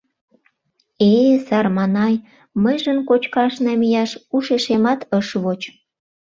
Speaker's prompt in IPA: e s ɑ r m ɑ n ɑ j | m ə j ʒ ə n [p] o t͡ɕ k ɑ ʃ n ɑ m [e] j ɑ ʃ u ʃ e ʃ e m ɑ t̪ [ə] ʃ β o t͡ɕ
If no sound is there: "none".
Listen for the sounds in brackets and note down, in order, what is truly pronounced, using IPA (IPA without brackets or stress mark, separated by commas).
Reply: k, i, ə